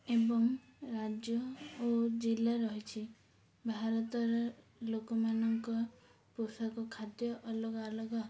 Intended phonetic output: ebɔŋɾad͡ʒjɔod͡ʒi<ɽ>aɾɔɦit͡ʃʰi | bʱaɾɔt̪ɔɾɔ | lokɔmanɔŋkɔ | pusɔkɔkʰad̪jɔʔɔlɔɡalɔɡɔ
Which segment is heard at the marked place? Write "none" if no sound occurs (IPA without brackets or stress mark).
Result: l